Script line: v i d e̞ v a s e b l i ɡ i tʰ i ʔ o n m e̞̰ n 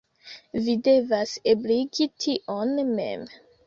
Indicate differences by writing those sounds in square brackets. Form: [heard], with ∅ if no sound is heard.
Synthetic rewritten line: v i d e̞ v a s e b l i ɡ i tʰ i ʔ o n m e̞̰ [m]